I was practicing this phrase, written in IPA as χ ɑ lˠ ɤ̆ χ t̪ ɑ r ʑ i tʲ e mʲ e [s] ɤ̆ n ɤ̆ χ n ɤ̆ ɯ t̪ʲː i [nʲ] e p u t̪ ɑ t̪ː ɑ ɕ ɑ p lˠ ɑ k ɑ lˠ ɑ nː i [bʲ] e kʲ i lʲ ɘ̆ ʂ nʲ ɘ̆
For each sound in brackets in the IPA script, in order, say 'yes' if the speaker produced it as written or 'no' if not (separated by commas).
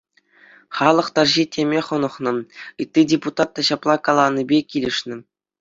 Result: no, no, yes